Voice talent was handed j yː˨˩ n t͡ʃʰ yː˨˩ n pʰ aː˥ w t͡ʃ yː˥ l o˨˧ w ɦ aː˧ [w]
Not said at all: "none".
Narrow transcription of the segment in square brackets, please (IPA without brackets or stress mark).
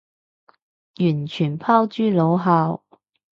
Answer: w